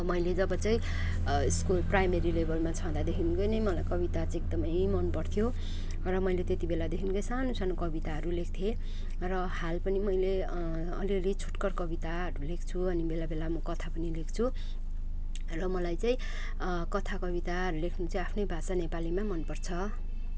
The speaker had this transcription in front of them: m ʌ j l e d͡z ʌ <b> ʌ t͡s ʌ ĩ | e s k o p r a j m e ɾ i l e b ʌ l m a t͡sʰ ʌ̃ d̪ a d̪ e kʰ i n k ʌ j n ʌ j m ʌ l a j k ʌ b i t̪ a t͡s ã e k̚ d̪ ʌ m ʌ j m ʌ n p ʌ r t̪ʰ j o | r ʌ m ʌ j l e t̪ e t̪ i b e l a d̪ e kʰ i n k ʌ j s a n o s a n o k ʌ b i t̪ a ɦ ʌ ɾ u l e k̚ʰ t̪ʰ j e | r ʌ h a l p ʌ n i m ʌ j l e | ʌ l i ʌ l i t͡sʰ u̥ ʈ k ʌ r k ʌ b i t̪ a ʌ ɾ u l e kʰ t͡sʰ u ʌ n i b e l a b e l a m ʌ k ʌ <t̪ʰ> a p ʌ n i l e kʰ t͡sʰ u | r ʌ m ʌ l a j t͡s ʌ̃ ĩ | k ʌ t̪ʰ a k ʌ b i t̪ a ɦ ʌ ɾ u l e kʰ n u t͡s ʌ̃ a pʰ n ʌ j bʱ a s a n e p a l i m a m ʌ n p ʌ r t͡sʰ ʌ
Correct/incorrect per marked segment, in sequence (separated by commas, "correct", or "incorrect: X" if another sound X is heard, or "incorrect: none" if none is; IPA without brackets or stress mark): correct, correct